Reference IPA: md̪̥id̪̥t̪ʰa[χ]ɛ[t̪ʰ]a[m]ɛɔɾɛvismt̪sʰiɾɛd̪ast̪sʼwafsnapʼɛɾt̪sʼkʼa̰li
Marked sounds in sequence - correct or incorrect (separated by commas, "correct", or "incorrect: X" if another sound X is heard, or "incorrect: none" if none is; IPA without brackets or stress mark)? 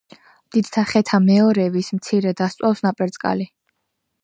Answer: correct, correct, correct